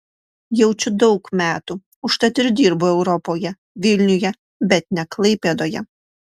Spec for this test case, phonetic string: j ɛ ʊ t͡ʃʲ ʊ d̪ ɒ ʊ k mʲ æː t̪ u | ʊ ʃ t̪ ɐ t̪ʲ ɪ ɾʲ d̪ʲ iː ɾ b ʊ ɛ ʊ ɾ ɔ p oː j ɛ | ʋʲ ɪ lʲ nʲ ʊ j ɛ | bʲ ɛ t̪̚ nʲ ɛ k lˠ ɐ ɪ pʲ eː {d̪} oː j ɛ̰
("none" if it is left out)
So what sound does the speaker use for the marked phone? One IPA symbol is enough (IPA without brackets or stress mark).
d̪